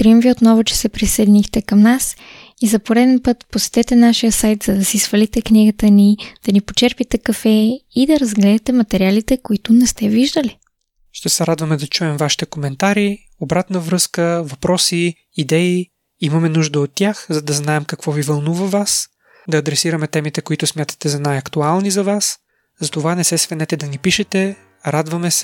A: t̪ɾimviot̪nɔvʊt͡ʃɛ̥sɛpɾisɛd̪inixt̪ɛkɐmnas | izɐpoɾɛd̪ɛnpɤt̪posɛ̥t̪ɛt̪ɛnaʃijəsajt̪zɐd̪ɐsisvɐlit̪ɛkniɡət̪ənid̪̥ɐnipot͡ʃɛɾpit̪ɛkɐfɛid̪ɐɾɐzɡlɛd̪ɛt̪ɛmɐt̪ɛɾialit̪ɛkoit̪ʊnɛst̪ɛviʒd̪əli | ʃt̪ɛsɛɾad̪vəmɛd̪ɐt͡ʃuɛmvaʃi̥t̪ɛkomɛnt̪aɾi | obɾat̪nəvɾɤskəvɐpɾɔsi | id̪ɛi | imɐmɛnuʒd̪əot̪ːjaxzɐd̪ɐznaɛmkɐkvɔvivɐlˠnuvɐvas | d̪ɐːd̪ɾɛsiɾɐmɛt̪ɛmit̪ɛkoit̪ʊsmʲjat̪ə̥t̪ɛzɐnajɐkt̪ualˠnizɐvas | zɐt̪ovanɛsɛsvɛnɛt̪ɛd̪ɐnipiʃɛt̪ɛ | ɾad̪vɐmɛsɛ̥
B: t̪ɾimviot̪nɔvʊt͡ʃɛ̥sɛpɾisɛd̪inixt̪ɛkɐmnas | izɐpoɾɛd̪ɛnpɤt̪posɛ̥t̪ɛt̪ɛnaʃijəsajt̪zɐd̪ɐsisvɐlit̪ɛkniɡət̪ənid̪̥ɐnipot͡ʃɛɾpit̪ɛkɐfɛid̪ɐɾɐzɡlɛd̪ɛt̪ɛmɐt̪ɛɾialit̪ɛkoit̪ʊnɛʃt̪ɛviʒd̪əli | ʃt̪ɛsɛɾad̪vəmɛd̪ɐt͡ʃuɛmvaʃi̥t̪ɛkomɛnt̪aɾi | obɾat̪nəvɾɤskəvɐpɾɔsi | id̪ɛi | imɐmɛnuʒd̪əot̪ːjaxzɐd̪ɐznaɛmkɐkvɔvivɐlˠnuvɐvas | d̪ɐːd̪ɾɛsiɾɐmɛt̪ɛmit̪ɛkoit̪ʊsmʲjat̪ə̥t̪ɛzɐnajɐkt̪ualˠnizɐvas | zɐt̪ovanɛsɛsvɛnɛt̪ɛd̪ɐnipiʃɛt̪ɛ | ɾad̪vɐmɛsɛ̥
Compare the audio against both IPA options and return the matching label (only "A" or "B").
A